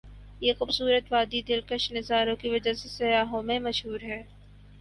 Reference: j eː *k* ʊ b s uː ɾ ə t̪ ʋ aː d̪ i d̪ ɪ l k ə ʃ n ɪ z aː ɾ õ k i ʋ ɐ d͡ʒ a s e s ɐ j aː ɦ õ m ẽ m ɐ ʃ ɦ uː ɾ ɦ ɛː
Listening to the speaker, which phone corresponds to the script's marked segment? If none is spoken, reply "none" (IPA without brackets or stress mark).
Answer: x